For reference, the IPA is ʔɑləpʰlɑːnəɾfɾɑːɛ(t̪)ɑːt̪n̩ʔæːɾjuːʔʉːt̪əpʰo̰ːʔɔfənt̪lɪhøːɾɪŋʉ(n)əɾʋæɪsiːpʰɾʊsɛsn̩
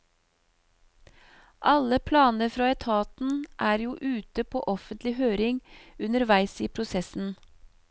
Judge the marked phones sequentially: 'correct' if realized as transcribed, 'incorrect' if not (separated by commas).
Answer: incorrect, correct